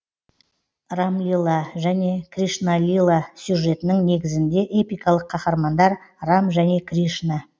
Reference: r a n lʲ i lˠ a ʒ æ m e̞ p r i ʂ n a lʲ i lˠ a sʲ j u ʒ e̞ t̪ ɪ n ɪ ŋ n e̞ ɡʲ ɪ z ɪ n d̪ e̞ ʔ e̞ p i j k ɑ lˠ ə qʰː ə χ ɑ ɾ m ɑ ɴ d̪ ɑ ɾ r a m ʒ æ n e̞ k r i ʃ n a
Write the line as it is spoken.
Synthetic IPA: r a m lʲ i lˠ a ʒ æ n e̞ k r i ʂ n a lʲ i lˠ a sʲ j u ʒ e̞ t̪ ɪ n ɪ ŋ n e̞ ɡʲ ɪ z ɪ n d̪ e̞ ʔ e̞ p i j k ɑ lˠ ə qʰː ɑ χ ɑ ɾ m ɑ n d̪ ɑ ɾ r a m ʒ æ n e̞ k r i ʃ n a